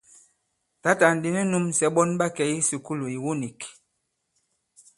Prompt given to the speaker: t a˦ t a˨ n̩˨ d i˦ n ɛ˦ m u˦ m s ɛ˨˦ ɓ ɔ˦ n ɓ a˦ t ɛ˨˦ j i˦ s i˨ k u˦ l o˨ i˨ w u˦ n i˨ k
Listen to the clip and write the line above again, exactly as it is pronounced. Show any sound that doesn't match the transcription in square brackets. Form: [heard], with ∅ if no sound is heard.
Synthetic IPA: t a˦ t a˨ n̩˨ d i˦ n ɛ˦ [n] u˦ m s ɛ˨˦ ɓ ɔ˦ n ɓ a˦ [k] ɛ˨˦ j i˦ s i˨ k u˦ l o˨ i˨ w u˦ n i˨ k